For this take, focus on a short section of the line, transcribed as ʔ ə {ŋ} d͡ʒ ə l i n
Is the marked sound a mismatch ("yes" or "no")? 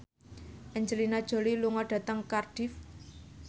yes